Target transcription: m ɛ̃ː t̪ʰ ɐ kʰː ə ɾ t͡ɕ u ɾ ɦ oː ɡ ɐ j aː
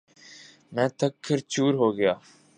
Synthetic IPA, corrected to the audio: m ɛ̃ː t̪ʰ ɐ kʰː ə ɾ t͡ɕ uː ɾ ɦ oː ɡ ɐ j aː